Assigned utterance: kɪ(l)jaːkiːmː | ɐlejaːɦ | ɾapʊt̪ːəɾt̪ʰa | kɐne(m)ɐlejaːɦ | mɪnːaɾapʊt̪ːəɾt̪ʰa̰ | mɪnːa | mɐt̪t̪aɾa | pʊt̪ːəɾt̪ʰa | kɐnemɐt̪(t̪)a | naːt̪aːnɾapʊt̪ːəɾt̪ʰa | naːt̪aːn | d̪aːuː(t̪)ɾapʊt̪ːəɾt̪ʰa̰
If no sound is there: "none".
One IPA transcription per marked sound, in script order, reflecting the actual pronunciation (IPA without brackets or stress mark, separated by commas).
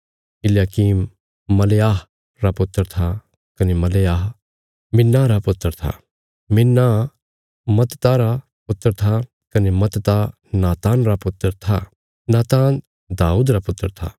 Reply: l, m, t̪, d̪